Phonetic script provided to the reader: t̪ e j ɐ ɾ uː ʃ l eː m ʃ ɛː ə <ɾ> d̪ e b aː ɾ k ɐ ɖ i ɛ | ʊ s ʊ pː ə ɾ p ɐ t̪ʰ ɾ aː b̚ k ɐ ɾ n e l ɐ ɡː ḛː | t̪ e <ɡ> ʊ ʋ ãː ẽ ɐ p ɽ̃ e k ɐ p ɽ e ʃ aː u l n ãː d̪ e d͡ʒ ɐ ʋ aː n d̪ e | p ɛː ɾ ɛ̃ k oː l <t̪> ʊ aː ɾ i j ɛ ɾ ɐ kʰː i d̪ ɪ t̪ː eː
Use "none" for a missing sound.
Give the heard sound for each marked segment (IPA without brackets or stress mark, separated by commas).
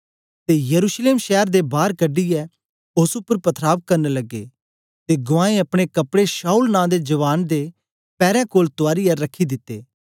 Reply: ɾ, ɡ, t̪